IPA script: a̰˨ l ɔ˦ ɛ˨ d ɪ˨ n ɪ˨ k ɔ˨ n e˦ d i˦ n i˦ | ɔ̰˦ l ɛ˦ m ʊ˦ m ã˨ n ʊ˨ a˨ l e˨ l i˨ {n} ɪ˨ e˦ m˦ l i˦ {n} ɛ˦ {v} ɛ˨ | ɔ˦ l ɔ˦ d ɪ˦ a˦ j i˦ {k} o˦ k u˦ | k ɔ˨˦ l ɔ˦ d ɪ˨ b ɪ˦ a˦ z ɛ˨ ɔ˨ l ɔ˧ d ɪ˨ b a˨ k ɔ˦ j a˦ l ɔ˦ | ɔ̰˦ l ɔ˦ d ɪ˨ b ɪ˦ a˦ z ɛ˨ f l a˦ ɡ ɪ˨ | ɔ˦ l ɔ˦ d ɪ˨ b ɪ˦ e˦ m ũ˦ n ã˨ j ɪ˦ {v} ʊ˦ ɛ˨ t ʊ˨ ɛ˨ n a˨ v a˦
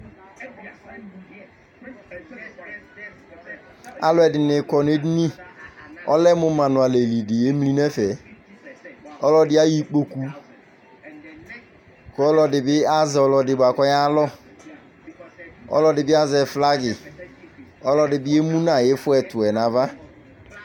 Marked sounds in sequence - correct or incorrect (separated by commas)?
incorrect, correct, incorrect, incorrect, incorrect